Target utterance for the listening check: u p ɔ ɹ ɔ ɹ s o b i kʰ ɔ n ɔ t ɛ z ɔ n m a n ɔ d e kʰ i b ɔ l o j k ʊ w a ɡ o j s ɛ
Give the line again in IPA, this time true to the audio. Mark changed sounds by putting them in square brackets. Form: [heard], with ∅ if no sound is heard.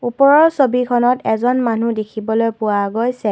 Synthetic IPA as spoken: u p ɔ ɹ ɔ ɹ s o b i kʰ ɔ n ɔ t ɛ z ɔ n m a n [u] d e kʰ i b ɔ l o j [p] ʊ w a ɡ o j s ɛ